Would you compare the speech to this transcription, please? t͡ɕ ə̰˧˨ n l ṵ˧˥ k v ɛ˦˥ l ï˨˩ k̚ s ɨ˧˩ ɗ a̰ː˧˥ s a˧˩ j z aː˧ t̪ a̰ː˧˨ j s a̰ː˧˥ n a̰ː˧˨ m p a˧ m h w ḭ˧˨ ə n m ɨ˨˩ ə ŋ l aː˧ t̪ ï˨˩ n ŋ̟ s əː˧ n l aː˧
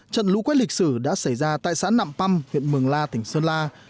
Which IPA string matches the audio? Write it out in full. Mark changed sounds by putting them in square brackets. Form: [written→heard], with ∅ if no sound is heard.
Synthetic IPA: t͡ɕ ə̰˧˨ n l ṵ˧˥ k [v→w] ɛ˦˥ l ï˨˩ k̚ s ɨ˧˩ ɗ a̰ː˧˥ s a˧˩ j z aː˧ t̪ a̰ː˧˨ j s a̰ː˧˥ n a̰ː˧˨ m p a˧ m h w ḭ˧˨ ə n m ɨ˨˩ ə ŋ l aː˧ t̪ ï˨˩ [n→∅] ŋ̟ s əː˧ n l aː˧